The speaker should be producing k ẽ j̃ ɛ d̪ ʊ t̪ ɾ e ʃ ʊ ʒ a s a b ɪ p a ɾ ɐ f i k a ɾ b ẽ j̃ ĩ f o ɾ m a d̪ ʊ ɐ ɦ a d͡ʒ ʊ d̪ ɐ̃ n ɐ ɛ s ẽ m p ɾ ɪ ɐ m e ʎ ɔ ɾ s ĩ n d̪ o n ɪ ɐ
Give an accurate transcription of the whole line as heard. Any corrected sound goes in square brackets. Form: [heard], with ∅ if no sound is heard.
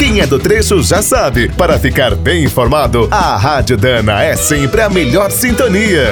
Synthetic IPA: k ẽ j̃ ɛ d̪ ʊ t̪ ɾ e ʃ ʊ ʒ a s a b ɪ p a ɾ ɐ f i k a ɾ b ẽ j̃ ĩ f o ɾ m a d̪ ʊ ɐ ɦ a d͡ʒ ʊ d̪ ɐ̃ n ɐ ɛ s ẽ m p ɾ ɪ ɐ m e ʎ ɔ ɾ s ĩ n [t̪] o n [i] ɐ